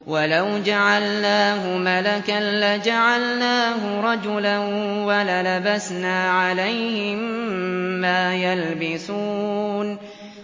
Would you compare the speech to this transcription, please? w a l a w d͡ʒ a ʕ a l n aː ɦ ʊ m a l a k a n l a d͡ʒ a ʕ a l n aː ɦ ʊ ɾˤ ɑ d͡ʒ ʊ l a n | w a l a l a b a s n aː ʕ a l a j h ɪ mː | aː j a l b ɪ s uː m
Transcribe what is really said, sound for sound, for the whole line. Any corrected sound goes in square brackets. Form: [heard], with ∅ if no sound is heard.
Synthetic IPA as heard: w a l a w d͡ʒ a ʕ a l n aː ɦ ʊ m a l a k a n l a d͡ʒ a ʕ a l n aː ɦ ʊ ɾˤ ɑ d͡ʒ ʊ l a n | w a l a l a b a s n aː ʕ a l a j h ɪ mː | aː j a l b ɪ s uː [n]